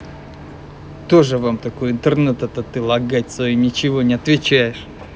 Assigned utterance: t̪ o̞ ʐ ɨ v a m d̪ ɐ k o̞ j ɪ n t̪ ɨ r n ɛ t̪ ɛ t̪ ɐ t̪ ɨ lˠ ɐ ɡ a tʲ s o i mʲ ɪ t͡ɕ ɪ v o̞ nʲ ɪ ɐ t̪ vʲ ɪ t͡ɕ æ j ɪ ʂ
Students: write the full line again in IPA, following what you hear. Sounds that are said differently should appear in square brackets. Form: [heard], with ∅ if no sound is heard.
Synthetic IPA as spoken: t̪ o̞ ʐ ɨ v a m [t̪] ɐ k o̞ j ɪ n t̪ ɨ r n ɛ t̪ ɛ t̪ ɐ t̪ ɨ lˠ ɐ ɡ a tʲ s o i [nʲ] ɪ t͡ɕ ɪ v o̞ nʲ ɪ ɐ t̪ vʲ ɪ t͡ɕ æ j ɪ ʂ